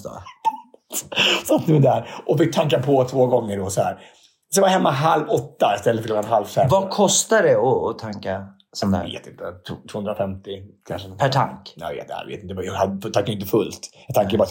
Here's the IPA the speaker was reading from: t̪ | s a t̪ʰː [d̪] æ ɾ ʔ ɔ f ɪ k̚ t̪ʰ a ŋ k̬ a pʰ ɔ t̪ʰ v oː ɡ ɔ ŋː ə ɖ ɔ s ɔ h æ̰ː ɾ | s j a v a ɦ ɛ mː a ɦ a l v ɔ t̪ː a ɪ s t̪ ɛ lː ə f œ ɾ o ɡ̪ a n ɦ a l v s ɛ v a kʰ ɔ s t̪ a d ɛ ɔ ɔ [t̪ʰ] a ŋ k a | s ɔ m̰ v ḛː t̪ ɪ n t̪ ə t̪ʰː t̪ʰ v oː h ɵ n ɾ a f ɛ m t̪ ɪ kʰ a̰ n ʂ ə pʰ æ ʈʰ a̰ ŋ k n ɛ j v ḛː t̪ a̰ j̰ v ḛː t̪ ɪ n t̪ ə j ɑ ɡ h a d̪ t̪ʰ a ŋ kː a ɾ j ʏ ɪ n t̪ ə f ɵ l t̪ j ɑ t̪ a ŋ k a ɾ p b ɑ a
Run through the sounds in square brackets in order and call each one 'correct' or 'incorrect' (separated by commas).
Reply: correct, correct